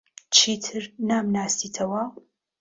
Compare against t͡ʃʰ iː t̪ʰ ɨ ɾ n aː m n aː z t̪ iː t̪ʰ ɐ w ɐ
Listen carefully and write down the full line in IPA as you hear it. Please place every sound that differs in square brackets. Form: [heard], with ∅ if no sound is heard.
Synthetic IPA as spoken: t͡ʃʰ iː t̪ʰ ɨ ɾ n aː m n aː [s] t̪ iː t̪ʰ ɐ w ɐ